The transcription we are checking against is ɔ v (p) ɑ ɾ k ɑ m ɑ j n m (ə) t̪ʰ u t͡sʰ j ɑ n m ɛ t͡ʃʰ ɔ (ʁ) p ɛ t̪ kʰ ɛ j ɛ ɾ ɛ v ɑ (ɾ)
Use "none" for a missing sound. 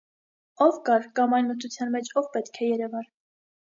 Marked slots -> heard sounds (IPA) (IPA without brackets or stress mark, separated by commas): k, ə, v, ɾ